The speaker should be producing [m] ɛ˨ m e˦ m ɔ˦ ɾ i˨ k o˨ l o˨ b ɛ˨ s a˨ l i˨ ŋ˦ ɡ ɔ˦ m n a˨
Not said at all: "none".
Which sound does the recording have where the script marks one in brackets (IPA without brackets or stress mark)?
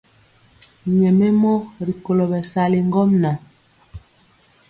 ɲ